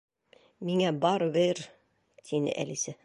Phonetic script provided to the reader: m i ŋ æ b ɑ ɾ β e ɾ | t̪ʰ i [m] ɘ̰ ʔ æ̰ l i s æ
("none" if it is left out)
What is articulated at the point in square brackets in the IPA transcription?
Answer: n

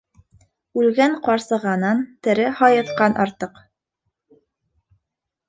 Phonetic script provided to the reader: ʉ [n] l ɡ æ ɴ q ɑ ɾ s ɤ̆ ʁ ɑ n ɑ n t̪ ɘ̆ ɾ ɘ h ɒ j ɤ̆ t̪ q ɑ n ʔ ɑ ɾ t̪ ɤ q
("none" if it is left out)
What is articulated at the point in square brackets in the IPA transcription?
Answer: none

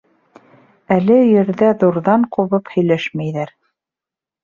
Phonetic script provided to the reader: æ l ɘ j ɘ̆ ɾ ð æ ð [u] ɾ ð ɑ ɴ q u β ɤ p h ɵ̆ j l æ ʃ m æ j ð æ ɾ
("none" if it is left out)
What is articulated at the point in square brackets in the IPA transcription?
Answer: u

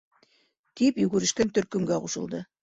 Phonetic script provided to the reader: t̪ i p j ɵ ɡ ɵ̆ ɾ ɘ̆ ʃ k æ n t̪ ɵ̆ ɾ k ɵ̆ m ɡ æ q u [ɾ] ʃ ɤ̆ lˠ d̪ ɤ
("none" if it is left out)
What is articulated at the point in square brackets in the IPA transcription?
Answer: none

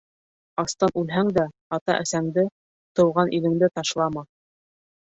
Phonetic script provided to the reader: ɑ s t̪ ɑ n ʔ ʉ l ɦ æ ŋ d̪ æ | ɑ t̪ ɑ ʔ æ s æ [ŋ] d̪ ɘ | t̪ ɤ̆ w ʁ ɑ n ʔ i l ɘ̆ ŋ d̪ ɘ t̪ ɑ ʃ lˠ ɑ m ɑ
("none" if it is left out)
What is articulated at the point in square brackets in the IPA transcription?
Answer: ŋ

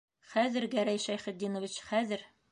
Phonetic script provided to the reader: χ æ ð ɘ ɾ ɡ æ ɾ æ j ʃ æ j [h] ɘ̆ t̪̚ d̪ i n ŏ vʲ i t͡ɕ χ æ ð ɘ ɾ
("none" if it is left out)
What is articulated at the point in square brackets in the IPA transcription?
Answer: χ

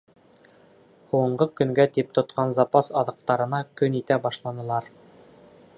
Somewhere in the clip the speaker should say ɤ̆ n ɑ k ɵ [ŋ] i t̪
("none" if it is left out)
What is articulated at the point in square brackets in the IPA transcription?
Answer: n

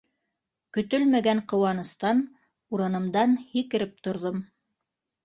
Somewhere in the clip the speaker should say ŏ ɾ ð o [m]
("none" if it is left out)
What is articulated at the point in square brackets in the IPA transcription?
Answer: m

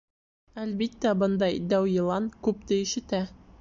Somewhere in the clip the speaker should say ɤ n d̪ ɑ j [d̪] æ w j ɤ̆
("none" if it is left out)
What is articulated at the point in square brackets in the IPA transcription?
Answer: d̪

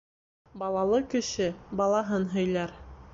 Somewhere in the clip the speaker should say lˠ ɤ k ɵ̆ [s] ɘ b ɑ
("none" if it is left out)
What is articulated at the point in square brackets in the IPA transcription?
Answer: ʃ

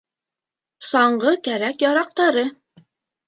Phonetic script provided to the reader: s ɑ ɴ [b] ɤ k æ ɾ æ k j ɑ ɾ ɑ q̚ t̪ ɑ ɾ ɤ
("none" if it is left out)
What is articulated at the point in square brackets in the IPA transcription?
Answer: ɢ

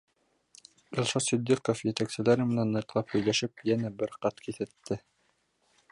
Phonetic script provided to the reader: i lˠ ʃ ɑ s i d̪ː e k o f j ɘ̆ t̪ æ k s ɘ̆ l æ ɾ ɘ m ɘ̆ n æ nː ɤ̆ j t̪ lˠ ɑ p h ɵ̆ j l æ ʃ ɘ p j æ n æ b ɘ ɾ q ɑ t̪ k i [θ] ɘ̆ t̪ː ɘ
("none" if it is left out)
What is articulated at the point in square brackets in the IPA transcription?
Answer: θ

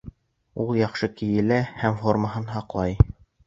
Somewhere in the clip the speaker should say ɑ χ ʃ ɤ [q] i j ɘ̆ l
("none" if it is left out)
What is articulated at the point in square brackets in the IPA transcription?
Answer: k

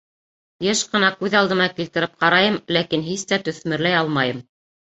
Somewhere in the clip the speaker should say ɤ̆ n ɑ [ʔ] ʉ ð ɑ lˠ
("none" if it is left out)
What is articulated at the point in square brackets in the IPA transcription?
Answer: k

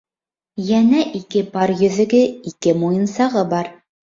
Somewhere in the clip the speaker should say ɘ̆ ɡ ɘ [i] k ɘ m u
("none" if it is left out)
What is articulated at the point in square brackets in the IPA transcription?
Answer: i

